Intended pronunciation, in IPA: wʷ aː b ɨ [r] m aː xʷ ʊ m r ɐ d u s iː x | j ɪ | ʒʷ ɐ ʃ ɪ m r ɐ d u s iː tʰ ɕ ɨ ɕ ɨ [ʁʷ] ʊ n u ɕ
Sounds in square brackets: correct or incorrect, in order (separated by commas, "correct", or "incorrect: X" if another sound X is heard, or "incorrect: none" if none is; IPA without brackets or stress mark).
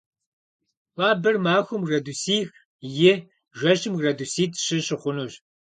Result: correct, incorrect: χʷ